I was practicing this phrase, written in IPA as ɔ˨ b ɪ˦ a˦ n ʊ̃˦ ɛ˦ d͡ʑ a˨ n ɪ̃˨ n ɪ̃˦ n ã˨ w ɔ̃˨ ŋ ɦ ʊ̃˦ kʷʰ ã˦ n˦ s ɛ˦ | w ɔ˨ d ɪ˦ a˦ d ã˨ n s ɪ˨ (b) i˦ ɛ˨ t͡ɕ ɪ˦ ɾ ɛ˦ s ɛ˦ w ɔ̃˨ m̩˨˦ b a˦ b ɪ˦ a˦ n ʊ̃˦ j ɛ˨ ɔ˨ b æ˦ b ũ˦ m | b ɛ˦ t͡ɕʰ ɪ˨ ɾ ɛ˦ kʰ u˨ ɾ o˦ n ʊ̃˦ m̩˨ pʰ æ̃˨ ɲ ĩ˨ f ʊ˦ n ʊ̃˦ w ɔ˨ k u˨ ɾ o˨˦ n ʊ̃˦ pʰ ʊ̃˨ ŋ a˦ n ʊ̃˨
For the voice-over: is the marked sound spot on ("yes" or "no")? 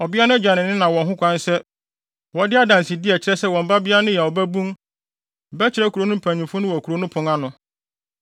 no